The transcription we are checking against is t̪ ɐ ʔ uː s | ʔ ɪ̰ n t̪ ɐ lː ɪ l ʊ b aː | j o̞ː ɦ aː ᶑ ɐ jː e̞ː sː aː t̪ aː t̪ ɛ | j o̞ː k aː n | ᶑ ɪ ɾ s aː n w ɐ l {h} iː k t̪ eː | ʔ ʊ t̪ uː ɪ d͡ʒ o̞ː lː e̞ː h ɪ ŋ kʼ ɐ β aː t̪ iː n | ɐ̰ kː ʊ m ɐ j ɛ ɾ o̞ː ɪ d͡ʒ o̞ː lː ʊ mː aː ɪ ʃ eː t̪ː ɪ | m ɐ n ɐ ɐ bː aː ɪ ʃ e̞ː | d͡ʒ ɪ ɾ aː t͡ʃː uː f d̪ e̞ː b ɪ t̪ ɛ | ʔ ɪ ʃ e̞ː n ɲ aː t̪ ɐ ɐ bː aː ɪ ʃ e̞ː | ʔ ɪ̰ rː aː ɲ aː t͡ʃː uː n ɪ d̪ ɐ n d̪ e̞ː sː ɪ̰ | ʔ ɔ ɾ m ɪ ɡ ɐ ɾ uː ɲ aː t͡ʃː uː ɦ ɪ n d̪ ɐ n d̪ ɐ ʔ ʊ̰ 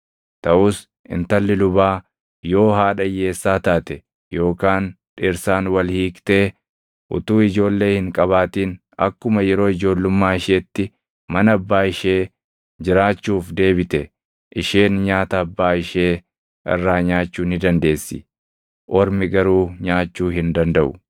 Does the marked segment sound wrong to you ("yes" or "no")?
no